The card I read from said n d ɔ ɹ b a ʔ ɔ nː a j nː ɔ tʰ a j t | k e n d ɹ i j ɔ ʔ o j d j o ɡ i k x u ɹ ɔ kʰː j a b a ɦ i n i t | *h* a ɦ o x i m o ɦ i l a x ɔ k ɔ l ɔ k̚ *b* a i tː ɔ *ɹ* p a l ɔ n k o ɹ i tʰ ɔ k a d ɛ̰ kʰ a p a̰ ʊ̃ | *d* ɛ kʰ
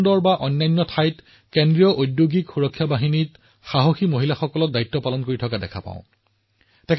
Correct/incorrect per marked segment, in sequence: incorrect, incorrect, incorrect, incorrect

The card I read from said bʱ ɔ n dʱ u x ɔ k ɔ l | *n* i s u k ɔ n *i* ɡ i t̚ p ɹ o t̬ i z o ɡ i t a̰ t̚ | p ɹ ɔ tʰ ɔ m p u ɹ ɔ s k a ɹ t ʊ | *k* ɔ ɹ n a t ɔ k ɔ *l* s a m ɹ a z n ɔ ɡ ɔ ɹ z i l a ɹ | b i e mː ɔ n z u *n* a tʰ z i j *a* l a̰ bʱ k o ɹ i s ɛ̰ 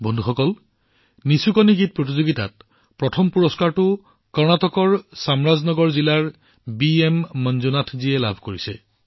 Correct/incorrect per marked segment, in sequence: correct, correct, correct, incorrect, correct, incorrect

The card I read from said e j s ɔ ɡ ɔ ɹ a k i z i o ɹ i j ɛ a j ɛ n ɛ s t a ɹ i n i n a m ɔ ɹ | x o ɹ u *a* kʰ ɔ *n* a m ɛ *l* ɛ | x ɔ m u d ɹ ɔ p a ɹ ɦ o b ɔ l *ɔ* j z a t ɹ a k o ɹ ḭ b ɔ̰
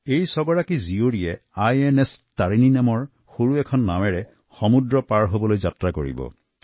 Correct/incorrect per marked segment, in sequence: incorrect, incorrect, incorrect, incorrect

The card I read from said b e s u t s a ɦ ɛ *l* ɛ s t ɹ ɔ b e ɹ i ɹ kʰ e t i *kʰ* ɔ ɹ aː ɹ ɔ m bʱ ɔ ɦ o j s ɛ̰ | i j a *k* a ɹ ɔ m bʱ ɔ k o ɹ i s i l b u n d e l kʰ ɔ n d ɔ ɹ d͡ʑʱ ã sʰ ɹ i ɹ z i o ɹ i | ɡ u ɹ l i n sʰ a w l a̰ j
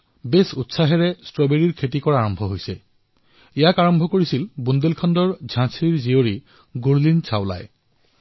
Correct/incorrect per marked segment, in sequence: incorrect, incorrect, correct

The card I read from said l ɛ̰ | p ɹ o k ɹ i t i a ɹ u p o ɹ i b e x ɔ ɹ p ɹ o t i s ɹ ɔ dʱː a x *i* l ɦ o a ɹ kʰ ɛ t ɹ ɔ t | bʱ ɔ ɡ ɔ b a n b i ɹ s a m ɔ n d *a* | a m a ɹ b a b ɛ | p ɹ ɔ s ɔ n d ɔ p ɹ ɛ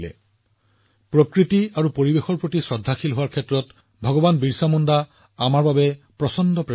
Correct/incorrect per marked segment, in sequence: correct, correct

